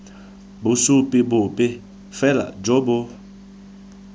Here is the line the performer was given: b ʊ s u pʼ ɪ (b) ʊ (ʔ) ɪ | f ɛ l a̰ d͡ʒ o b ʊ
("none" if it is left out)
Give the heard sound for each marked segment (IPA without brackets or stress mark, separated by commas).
b, p